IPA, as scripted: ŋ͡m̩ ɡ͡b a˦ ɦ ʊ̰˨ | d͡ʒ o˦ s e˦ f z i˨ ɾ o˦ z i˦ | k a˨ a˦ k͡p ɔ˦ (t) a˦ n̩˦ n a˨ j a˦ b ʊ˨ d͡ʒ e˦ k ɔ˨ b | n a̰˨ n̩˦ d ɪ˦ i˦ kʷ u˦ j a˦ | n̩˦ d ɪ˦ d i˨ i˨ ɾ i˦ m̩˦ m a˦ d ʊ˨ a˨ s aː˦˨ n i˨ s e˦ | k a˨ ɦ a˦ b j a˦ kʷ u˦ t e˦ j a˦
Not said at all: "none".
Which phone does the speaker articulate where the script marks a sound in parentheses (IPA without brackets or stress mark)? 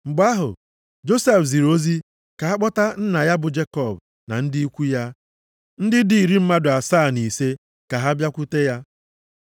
t